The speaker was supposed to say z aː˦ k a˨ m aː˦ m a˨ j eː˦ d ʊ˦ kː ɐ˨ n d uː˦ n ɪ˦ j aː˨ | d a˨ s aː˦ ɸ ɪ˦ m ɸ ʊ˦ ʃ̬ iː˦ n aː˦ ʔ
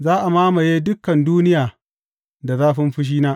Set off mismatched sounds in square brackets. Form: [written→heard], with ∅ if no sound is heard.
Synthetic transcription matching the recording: z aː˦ [k→ʔ] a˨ m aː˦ m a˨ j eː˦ d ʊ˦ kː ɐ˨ n d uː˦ n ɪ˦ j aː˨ | d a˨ [s→z] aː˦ ɸ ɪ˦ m ɸ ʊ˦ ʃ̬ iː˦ n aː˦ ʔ